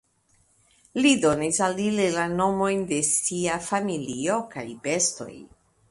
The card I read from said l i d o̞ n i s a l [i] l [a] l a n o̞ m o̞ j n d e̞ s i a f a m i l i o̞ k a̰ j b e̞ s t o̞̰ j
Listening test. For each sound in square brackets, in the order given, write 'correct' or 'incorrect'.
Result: correct, incorrect: e

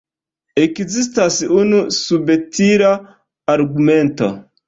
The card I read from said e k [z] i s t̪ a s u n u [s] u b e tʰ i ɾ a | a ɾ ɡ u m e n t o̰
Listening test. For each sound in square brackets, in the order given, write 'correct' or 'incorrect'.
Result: correct, correct

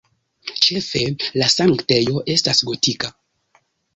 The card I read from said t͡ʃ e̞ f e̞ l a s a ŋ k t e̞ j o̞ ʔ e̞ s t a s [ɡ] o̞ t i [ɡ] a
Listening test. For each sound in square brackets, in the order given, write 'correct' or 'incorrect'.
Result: correct, incorrect: k

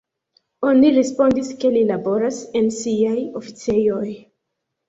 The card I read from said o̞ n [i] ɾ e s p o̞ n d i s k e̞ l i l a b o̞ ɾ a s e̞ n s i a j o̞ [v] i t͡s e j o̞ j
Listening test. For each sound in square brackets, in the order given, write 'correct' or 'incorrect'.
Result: correct, incorrect: f

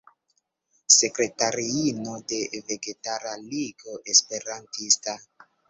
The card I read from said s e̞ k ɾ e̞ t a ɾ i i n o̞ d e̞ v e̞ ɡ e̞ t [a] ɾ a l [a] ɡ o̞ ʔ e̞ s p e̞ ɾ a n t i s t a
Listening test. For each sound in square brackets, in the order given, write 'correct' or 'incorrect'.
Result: correct, incorrect: i

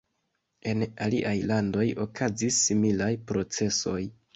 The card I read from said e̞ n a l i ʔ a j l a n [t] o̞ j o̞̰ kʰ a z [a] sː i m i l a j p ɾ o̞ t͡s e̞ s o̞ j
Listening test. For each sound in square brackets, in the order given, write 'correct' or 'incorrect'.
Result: incorrect: d, incorrect: i

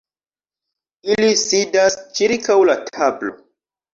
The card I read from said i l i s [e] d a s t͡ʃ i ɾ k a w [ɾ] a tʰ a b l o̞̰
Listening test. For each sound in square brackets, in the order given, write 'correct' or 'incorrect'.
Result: incorrect: i, incorrect: l

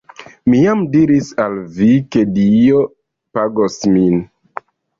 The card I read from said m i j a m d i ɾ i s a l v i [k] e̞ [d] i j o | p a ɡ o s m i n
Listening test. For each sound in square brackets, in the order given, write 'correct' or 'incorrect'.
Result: correct, correct

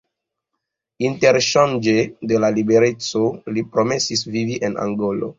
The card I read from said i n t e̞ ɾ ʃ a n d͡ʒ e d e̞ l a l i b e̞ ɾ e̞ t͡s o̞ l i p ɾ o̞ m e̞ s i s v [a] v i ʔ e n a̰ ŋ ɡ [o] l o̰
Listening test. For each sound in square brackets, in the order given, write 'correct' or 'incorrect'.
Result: incorrect: i, correct

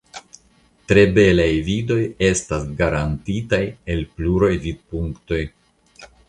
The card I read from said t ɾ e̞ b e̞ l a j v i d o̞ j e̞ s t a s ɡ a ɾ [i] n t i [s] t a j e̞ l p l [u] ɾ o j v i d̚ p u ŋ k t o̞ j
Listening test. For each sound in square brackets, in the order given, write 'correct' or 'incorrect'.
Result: incorrect: a, incorrect: none, correct

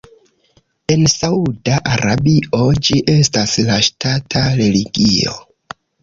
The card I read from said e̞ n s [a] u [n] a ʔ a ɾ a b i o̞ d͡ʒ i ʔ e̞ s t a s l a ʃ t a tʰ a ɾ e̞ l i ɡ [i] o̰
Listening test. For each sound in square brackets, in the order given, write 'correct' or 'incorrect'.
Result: correct, incorrect: d, correct

